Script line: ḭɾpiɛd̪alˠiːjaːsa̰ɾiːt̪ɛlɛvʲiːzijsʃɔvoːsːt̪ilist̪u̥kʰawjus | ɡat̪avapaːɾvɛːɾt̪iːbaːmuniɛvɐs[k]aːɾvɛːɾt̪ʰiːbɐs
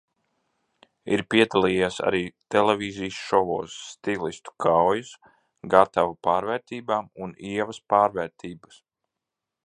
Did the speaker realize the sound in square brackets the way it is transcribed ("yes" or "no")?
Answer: no